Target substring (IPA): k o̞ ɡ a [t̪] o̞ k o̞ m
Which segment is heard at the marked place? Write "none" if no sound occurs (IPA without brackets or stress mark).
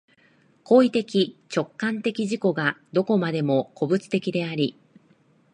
d̪